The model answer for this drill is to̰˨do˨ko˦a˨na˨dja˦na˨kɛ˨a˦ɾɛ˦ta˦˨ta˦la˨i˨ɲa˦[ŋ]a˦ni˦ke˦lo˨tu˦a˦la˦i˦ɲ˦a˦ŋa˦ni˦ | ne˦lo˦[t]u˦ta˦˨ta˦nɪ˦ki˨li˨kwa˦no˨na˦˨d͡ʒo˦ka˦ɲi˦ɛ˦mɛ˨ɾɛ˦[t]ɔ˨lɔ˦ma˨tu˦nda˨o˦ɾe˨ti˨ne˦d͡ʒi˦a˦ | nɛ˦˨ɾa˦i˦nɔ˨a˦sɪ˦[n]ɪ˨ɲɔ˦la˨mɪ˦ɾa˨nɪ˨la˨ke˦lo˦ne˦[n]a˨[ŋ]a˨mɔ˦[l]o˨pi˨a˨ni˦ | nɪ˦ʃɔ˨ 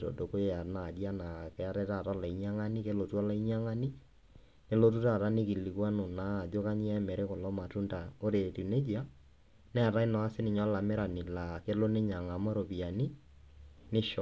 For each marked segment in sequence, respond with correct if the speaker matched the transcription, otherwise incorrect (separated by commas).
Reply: correct, correct, incorrect, correct, incorrect, correct, incorrect